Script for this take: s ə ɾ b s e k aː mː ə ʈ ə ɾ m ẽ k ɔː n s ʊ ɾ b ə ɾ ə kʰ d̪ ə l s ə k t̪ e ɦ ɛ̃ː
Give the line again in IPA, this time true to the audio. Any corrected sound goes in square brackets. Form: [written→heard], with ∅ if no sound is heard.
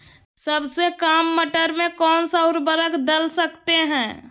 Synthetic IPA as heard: s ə [ɾ→∅] b s e k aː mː ə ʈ ə ɾ m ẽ k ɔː n s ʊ ɾ b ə ɾ ə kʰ d̪ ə l s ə k t̪ e ɦ ɛ̃ː